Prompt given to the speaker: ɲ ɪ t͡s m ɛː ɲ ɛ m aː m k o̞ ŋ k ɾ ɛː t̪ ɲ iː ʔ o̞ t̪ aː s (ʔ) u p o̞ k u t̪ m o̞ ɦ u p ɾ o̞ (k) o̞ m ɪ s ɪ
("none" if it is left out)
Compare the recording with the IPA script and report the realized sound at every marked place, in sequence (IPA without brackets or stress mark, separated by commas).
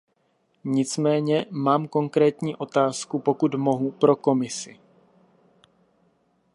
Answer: k, k